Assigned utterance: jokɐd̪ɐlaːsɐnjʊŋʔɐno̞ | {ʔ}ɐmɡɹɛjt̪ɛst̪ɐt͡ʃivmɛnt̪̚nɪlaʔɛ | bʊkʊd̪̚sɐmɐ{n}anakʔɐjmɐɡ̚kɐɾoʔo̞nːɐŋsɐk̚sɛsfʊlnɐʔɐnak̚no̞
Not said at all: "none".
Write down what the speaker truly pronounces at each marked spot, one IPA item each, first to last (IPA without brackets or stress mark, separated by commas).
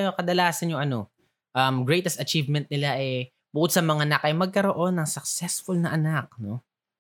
ʔ, ŋ